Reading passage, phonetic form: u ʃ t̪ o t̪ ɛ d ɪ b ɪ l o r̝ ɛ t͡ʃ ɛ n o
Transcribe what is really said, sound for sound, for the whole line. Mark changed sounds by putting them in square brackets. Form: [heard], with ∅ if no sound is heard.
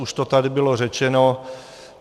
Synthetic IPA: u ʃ t̪ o t̪ [a] d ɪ b ɪ l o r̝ ɛ t͡ʃ ɛ n o